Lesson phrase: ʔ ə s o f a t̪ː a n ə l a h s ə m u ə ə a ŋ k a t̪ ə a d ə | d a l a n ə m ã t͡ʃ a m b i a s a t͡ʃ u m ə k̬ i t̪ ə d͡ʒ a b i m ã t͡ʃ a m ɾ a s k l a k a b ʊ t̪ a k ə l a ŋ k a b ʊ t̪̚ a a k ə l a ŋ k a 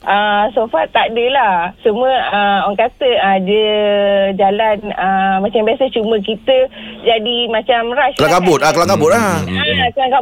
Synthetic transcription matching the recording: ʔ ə s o f a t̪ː a d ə l a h s ə m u ə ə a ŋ k a t̪ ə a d ə | d͡ʒ a l a n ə m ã t͡ʃ a m b i a s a t͡ʃ u m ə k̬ i t̪ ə d͡ʒ a d i m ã t͡ʃ a m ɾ a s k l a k a b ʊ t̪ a k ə l a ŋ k a b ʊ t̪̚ a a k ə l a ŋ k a